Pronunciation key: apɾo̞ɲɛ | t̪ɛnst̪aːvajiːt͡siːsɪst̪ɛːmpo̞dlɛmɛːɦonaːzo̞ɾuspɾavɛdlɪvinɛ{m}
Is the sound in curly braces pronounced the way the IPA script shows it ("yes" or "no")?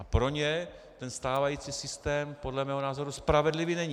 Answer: no